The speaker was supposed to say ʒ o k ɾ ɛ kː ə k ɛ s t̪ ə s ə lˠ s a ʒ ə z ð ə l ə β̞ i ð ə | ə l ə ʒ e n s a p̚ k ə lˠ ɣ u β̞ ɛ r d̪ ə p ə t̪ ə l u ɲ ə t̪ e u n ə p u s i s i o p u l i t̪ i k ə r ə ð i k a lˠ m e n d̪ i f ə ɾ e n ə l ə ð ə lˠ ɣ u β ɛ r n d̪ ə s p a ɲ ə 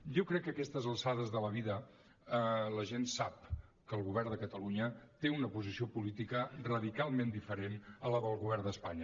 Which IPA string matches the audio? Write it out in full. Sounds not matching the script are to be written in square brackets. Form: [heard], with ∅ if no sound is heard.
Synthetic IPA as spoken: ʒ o k ɾ ɛ kː ə k ɛ s t̪ ə [z] ə lˠ s a [ð] ə z ð ə l ə β̞ i ð ə | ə l ə ʒ e n s a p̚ k ə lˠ ɣ u β̞ ɛ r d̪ ə [k] ə t̪ ə l u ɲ ə t̪ e u n ə p u [z] i s i o p u l i t̪ i k ə r ə ð i k a lˠ m e n d̪ i f ə ɾ e n ə l ə ð ə lˠ ɣ u β ɛ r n d̪ ə s p a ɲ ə